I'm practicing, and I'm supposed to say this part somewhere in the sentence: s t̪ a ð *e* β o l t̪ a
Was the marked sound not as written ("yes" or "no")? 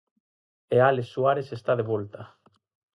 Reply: no